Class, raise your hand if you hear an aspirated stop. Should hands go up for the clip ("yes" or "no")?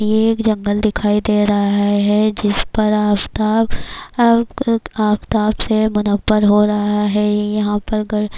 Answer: yes